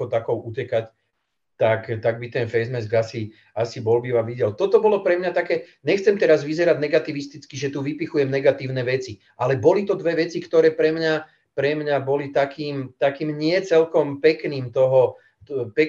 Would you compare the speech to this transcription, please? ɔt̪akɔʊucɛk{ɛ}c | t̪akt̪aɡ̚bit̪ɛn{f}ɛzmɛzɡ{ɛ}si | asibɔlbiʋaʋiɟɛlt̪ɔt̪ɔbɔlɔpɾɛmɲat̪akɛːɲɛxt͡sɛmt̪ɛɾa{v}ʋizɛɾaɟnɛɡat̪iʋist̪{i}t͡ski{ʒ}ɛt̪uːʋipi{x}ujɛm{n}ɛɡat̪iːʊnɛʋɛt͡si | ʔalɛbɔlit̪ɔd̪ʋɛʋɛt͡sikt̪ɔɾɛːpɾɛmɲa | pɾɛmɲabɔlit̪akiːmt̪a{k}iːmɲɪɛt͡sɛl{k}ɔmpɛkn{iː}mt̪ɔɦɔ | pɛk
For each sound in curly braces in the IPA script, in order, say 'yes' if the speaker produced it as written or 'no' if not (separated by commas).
no, yes, no, no, yes, yes, yes, yes, yes, yes, yes